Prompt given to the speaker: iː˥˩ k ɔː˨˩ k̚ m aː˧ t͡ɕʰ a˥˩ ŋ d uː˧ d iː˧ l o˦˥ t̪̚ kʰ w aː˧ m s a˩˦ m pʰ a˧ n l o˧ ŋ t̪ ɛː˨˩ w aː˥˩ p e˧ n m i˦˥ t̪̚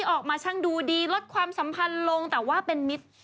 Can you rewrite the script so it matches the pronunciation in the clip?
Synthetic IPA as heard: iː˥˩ ʔ ɔː˨˩ k̚ m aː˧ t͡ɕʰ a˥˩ ŋ d uː˧ d iː˧ l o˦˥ t̪̚ kʰ w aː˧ m s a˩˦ m pʰ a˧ n l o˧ ŋ t̪ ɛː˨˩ w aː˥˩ p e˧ n m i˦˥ t̪̚